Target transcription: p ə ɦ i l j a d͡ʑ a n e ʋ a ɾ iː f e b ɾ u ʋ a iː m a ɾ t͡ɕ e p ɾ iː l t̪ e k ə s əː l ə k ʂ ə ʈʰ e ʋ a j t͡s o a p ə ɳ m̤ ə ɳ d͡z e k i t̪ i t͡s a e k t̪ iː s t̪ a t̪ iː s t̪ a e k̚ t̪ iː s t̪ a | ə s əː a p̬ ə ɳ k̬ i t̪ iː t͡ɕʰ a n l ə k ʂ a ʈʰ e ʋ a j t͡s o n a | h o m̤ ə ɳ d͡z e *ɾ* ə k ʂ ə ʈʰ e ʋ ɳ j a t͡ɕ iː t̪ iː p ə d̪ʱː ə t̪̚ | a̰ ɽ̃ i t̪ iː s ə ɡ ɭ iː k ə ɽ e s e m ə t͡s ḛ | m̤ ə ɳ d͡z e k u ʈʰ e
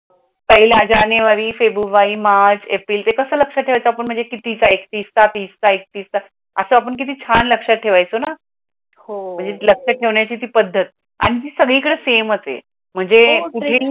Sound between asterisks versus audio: incorrect: l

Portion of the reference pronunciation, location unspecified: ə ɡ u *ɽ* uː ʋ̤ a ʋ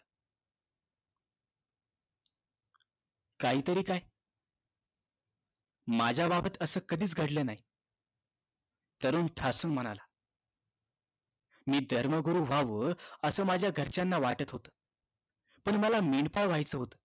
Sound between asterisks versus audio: incorrect: ɾ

